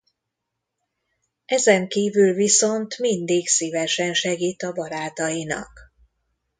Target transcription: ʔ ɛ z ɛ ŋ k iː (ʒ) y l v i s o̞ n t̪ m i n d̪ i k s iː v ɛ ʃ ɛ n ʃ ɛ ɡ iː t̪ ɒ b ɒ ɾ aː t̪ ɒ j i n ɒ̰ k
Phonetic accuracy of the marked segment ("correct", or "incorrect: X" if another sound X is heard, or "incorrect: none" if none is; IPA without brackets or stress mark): incorrect: v